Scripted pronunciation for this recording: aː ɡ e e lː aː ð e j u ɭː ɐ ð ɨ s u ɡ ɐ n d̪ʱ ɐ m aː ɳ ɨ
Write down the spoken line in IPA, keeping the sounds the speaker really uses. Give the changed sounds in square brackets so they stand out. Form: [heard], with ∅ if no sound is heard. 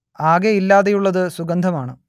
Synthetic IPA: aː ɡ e [i] lː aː ð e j u ɭː ɐ ð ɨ s u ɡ ɐ n d̪ʱ ɐ m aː ɳ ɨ